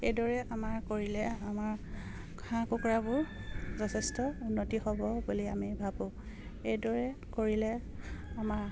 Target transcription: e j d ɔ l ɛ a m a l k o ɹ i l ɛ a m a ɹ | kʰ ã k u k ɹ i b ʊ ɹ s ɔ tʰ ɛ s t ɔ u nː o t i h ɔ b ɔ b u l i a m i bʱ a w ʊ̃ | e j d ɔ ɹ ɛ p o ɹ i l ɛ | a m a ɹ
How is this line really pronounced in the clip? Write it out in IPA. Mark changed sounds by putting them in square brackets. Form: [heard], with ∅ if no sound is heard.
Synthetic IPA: e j d ɔ [ɹ] ɛ a m a [ɹ] k o ɹ i l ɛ a m a ɹ | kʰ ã k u k ɹ [a] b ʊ ɹ [z] ɔ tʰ ɛ s t ɔ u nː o t i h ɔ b ɔ b u l i a m i bʱ a [b] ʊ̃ | e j d ɔ ɹ ɛ [k] o ɹ i l ɛ | a m a ɹ